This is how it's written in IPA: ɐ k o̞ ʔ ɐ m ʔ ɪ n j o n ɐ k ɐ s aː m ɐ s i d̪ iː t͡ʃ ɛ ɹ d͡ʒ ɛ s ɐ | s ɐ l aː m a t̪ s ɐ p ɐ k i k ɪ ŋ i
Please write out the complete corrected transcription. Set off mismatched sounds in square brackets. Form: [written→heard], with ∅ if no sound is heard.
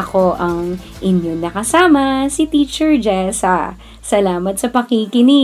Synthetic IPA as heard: ɐ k o̞ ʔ ɐ [m→ŋ] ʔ ɪ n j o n ɐ k ɐ s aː m ɐ s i [d̪→t̪] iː t͡ʃ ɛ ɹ d͡ʒ ɛ s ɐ | s ɐ l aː m [a→ɐ] t̪ s ɐ p ɐ k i k ɪ [ŋ→n] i